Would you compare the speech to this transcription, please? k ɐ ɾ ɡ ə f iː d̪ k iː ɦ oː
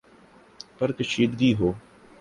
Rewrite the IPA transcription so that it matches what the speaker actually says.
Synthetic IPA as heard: p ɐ ɾ k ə ʃ iː d̪ ɡ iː ɦ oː